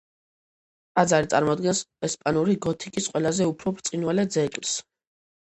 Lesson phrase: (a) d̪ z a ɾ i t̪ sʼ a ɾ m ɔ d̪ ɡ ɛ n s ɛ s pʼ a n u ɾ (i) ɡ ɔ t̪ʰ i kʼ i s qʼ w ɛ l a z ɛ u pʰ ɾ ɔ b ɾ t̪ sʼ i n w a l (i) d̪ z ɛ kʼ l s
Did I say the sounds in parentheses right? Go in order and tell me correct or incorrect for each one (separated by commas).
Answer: correct, correct, incorrect